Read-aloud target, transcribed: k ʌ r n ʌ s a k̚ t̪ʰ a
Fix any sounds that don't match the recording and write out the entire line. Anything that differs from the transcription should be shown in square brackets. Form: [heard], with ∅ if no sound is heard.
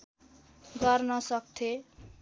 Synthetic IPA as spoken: [ɡ] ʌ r n ʌ s [ʌ] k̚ t̪ʰ [e]